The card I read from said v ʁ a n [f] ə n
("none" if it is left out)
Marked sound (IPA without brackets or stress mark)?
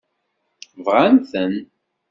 θ